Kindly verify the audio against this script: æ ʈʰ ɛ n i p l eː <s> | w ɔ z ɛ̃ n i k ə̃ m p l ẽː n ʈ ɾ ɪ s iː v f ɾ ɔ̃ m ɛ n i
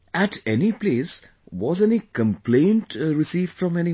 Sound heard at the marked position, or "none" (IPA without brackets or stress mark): s